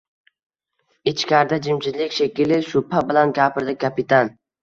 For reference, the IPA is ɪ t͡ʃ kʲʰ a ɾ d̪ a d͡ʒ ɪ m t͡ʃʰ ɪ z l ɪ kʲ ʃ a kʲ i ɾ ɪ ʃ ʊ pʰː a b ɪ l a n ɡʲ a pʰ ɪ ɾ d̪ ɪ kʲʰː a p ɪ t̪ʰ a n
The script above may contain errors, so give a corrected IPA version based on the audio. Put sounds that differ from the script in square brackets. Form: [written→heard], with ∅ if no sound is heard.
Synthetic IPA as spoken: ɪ t͡ʃ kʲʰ a ɾ d̪ a d͡ʒ ɪ m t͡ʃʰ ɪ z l ɪ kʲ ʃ [a→e] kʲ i [ɾ→l] ɪ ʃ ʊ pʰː a b ɪ l a n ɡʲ a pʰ ɪ ɾ d̪ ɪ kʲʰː a p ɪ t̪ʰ a n